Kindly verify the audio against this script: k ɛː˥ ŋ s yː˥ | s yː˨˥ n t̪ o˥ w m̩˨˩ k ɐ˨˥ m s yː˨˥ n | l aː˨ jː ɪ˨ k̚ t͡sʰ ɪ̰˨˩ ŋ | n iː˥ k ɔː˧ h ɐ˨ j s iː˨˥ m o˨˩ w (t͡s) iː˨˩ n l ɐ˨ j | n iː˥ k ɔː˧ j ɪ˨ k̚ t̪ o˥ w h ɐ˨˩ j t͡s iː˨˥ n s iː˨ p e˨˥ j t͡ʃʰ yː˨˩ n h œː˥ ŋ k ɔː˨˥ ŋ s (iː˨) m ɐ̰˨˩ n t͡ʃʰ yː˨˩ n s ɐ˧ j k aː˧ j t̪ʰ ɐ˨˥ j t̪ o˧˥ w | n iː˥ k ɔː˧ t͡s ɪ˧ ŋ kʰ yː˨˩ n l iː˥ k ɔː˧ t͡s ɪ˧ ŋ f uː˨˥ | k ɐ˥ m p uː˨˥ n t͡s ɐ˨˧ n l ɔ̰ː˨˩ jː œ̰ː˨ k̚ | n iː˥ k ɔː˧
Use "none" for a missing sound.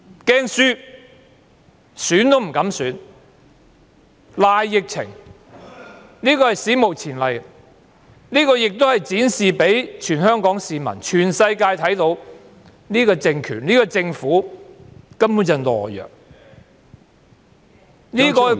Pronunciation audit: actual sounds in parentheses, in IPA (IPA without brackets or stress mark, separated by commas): t͡sʰ, iː˨